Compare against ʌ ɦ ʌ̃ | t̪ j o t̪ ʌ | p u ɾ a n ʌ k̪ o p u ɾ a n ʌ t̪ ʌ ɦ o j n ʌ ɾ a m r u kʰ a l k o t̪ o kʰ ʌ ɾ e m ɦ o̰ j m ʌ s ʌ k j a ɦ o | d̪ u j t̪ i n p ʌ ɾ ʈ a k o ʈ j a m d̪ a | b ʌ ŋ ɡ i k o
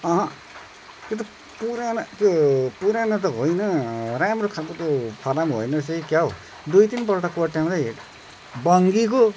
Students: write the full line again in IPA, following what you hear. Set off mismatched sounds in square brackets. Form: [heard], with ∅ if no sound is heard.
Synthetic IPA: ʌ ɦ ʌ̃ | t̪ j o t̪ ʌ | p u ɾ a n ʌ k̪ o p u ɾ a n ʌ t̪ ʌ ɦ o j n ʌ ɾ a m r [o] kʰ a l k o t̪ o [pʰ] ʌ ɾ [a] m ɦ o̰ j [n] ʌ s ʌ k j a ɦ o | d̪ u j t̪ i n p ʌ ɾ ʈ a k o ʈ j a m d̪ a | b ʌ ŋ ɡ i k o